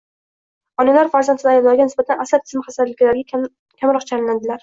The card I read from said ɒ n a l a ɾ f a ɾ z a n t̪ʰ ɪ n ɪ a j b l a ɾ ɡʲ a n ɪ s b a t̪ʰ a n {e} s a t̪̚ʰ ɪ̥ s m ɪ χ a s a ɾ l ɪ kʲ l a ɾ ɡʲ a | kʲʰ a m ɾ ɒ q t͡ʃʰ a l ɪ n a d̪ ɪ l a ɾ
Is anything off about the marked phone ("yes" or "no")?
yes